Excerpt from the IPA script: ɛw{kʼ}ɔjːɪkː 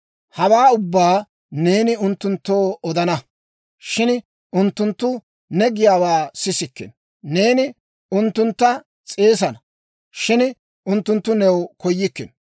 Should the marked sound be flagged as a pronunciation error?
yes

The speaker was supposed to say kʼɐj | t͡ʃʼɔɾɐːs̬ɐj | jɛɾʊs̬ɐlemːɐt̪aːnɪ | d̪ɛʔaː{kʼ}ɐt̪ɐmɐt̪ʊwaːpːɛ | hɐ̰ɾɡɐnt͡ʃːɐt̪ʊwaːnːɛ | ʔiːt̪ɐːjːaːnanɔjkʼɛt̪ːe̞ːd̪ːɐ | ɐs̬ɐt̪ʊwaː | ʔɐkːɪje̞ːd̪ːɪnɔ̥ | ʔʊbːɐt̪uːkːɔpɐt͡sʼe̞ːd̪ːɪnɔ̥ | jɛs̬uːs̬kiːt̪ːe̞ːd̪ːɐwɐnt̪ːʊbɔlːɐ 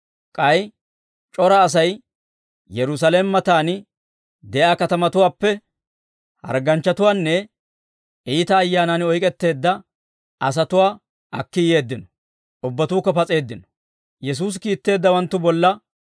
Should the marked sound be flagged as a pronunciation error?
yes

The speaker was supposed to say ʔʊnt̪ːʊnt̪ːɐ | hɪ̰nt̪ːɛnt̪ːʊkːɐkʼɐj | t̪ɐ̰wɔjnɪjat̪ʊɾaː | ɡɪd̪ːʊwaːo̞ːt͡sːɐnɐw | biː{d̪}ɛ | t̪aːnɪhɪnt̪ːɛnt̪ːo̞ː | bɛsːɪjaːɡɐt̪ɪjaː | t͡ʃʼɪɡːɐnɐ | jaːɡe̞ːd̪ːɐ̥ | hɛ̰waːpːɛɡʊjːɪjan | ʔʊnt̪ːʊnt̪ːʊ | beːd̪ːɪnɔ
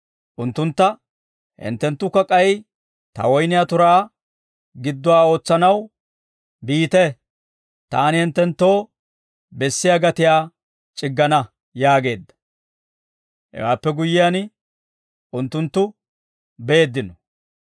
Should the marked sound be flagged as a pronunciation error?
yes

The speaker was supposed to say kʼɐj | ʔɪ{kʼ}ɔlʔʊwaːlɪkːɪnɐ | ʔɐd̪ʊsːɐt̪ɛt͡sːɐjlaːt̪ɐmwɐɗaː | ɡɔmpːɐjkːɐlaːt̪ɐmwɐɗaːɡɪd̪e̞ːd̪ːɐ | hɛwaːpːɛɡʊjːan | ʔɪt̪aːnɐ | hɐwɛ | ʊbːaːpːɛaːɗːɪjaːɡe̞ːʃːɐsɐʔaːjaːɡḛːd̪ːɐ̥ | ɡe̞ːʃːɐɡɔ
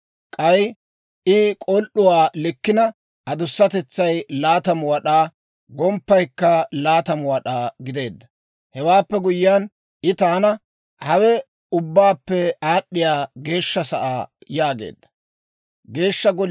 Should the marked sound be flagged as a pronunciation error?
no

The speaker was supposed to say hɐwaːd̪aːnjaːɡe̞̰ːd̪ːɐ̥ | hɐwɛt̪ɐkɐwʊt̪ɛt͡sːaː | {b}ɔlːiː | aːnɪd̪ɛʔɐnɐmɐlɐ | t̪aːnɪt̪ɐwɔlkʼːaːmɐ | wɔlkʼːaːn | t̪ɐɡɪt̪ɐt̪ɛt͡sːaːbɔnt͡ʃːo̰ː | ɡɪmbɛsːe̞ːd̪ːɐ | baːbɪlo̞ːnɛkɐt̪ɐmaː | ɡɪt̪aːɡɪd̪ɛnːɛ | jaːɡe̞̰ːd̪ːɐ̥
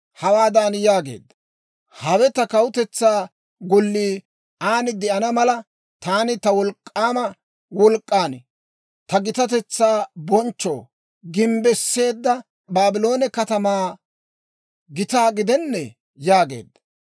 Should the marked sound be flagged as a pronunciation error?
yes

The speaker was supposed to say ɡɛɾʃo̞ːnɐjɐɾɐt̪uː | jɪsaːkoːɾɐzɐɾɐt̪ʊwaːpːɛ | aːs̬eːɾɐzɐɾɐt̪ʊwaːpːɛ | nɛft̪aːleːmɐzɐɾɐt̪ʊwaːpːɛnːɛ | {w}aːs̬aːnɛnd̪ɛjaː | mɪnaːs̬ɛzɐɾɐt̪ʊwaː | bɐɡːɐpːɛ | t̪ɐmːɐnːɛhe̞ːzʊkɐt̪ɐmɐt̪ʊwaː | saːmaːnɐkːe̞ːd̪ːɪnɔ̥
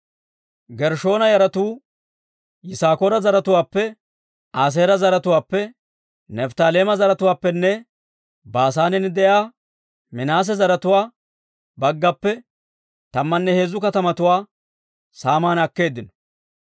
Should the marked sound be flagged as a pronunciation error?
yes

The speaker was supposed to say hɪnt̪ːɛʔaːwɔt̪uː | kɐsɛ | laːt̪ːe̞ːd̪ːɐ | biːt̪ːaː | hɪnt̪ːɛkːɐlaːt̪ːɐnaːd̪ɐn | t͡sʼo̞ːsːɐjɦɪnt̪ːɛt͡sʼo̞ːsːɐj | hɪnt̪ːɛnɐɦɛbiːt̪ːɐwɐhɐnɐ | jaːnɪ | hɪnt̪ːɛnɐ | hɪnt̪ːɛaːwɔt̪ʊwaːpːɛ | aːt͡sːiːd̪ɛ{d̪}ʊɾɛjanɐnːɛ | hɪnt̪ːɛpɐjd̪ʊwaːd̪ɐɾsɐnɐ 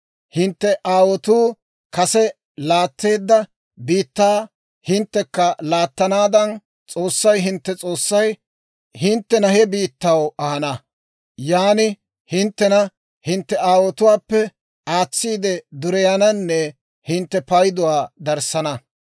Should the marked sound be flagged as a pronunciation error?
no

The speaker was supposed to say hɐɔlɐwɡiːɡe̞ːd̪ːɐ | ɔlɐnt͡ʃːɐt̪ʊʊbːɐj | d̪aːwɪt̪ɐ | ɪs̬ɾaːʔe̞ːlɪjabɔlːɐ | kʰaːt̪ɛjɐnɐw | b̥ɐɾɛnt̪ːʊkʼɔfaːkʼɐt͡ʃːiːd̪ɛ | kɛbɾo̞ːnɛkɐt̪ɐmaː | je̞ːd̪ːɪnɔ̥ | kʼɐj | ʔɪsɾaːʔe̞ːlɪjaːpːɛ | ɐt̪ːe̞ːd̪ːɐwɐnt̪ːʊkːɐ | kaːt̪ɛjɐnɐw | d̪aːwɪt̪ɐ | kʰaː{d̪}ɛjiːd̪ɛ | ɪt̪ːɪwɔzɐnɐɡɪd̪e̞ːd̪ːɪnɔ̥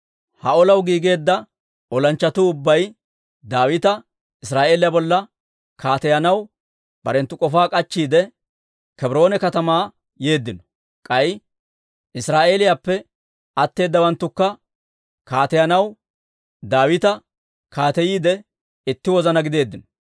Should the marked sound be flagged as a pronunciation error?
yes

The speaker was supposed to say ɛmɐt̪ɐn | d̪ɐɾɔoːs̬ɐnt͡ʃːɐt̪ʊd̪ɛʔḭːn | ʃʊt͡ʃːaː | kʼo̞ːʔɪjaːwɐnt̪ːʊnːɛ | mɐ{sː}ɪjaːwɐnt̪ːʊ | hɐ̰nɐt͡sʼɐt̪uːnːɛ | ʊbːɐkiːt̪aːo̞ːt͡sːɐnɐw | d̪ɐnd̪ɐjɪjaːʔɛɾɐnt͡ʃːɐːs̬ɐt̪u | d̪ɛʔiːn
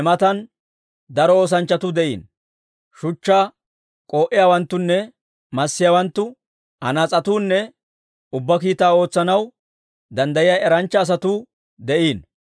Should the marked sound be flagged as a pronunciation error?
no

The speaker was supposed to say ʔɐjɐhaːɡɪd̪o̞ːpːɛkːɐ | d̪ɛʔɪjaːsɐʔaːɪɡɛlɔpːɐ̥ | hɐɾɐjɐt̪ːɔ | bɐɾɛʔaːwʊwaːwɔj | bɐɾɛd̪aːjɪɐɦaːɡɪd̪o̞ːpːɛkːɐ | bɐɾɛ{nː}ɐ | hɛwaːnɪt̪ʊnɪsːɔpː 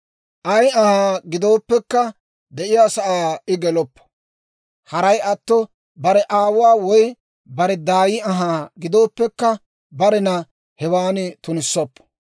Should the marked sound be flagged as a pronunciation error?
yes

